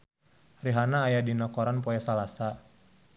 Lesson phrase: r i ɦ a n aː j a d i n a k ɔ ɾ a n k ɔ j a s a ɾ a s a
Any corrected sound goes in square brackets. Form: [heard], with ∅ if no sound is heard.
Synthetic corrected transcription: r i ɦ a n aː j a d i n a k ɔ ɾ a n [p] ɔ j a s a [l] a s a